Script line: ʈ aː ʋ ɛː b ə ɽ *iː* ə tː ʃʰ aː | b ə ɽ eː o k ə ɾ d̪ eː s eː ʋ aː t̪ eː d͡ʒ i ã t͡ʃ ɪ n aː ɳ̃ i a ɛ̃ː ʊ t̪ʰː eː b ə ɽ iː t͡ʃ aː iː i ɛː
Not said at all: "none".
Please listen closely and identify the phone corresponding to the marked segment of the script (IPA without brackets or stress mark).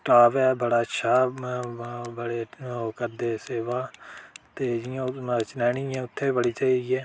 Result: aː